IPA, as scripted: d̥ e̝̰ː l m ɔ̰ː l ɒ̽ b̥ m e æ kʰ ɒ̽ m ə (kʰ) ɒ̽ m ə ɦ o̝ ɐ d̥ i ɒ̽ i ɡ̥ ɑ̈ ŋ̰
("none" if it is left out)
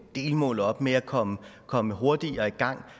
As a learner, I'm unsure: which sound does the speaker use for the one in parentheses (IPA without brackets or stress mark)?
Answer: kʰ